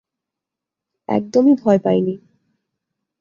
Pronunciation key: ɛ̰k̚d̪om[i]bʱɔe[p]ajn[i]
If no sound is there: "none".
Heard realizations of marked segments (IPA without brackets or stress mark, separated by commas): i, p, i